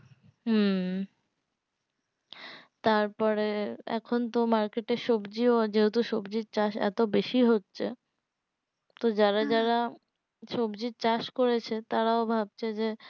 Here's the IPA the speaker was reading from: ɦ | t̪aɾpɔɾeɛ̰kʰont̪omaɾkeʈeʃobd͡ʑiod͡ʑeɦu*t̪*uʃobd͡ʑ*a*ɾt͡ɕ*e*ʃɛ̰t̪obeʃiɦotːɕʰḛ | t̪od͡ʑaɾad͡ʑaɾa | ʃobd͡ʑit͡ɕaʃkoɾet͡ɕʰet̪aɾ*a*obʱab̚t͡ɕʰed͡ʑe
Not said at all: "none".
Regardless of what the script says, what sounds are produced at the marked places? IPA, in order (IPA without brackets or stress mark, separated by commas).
t̪, i, a, a